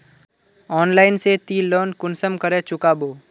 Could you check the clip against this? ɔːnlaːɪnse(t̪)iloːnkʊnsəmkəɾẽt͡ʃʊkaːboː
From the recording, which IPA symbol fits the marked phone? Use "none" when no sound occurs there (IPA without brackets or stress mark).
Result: t̪